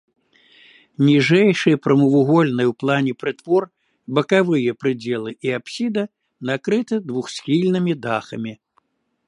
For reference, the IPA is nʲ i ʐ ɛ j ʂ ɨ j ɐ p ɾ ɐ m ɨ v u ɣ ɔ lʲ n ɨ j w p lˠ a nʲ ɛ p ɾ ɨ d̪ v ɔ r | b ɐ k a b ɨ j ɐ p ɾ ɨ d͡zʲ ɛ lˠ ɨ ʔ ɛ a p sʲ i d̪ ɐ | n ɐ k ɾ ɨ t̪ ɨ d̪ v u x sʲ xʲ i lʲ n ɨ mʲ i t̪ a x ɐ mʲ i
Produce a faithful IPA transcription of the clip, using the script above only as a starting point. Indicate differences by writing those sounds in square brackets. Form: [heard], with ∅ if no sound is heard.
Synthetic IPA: nʲ i ʐ ɛ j ʂ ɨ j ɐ p ɾ ɐ m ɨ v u ɣ ɔ lʲ n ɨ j w p lˠ a nʲ ɛ p ɾ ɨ [t̪] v ɔ r | b ɐ k a [v] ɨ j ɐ p ɾ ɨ d͡zʲ ɛ lˠ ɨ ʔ [i] a p sʲ i d̪ ɐ | n [a] k ɾ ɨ t̪ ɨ d̪ v u x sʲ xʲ i lʲ n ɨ mʲ i [d̪] a x ɐ mʲ i